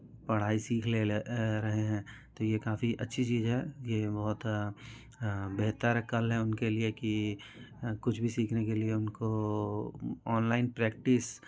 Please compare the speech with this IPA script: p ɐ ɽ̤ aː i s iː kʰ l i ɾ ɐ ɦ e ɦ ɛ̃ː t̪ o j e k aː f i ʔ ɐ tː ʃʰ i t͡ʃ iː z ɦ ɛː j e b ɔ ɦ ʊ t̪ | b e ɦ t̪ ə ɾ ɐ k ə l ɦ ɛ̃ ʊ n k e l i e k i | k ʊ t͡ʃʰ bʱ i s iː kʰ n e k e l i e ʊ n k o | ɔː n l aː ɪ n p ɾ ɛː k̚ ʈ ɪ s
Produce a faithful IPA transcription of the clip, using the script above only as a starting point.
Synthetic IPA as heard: p ɐ ɽ̤ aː i s iː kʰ l e ɾ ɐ ɦ e ɦ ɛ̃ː t̪ o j e k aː f i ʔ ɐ tː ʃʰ i t͡ʃ iː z ɦ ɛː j e b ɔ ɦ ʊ t̪ | b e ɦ t̪ ə ɾ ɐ k ə l ɦ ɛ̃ ʊ n k e l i e k i | k ʊ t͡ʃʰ bʱ i s iː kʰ n e k e l i e ʊ n k o | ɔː n l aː ɪ n p ɾ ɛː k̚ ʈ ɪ s